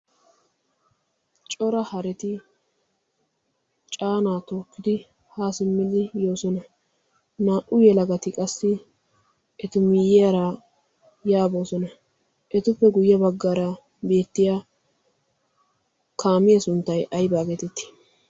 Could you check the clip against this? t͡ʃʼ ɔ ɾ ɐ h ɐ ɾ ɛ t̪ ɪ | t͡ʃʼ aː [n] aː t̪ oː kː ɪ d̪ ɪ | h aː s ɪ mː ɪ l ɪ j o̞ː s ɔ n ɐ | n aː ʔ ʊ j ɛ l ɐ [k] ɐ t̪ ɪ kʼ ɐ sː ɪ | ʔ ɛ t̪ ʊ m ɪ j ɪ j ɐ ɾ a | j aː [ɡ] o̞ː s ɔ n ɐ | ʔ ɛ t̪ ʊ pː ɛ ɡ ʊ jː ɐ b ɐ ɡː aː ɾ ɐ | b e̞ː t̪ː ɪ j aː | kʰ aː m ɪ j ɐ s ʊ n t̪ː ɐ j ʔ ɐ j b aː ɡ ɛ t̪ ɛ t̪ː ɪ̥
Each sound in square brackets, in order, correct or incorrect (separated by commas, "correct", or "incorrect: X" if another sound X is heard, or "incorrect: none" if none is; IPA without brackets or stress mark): correct, incorrect: ɡ, incorrect: b